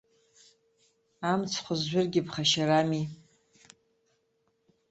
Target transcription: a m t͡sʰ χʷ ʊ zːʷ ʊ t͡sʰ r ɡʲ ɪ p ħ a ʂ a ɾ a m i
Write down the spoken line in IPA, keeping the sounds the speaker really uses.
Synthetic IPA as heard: a m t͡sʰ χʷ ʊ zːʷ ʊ r ɡʲ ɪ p χ a ʃ a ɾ a m i